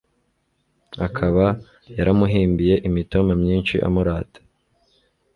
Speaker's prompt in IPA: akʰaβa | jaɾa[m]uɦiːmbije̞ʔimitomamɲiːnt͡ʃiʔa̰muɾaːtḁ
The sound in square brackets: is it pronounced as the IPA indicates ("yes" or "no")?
yes